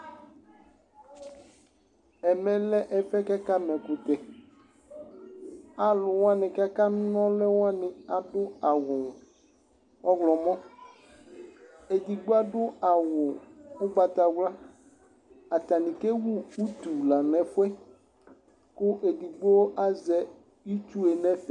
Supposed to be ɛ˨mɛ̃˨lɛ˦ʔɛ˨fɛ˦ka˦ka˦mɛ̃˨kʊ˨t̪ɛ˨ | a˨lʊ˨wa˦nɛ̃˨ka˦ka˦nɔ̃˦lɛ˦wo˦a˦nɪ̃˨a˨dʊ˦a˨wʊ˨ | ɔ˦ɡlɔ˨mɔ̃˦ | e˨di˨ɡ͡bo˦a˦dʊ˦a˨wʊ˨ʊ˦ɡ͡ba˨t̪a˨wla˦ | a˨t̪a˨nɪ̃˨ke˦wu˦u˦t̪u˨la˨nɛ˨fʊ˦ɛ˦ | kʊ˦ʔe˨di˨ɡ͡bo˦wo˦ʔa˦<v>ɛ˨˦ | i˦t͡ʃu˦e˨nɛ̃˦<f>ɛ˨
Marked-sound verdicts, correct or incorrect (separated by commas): incorrect, correct